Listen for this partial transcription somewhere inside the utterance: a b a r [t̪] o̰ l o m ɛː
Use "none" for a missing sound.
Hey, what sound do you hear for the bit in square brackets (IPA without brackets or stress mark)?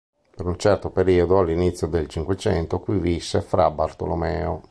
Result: t̪